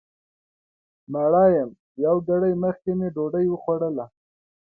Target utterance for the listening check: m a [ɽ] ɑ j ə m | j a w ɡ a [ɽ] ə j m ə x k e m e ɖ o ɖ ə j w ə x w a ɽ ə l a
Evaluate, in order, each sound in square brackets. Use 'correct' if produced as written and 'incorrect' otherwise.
correct, correct

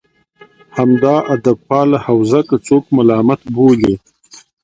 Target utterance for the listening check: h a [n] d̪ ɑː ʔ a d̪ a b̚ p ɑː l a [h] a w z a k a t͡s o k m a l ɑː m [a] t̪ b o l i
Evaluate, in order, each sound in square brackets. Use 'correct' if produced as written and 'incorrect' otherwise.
incorrect, correct, correct

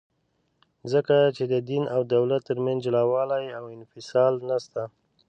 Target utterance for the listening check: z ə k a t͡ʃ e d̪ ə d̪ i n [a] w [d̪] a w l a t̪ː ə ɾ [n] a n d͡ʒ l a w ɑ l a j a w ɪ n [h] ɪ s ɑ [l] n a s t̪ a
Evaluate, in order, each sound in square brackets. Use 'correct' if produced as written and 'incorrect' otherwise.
correct, correct, incorrect, incorrect, correct

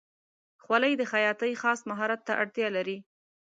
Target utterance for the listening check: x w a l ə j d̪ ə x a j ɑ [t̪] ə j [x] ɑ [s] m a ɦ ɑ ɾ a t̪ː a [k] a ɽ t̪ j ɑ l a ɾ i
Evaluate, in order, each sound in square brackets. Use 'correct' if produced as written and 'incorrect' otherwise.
correct, correct, correct, incorrect

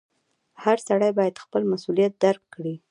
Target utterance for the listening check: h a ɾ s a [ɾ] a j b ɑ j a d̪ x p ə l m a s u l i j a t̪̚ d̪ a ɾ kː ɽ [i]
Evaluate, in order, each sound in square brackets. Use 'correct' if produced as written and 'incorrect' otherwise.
incorrect, correct

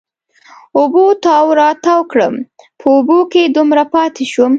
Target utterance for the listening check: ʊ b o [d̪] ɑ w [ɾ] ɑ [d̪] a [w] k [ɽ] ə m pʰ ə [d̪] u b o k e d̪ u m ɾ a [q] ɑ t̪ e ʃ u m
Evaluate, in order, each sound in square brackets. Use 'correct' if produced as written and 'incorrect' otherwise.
incorrect, correct, incorrect, correct, correct, incorrect, incorrect

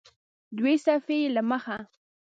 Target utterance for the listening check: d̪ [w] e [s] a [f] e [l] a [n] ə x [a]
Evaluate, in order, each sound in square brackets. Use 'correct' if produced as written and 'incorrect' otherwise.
correct, correct, correct, correct, incorrect, correct

